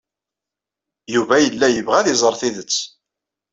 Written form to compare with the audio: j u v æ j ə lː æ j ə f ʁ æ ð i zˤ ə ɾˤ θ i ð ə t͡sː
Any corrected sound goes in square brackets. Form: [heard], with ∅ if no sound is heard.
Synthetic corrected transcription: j u v æ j ə lː æ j ə [v] ʁ æ ð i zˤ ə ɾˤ θ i ð ə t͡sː